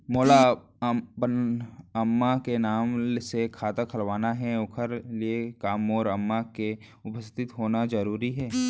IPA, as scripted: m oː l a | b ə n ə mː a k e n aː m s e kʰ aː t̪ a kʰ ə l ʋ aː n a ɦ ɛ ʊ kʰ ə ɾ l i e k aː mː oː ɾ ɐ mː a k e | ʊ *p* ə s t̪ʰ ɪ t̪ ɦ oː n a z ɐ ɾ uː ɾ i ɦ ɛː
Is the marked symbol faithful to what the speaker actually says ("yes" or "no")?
yes